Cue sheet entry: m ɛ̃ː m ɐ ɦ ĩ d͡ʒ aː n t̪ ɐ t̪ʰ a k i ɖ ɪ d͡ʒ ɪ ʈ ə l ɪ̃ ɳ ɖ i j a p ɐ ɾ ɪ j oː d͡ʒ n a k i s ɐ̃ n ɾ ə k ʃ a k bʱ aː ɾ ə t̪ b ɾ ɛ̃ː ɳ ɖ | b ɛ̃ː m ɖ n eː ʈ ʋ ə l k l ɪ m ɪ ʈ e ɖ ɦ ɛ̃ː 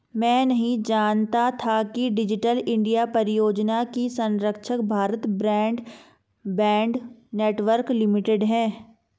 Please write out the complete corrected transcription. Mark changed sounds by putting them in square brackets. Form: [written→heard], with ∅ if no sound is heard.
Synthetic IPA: m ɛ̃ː [m→n] ɐ ɦ ĩ d͡ʒ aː n t̪ [ɐ→a] t̪ʰ a k i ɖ ɪ d͡ʒ ɪ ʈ ə l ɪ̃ ɳ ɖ i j a p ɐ ɾ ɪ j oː d͡ʒ n a k i s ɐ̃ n ɾ ə k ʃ [a→ə] k bʱ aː ɾ ə t̪ b ɾ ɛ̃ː ɳ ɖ | b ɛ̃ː [m→ɳ] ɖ n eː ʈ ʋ ə [l→ɾ] k l ɪ m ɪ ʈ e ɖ ɦ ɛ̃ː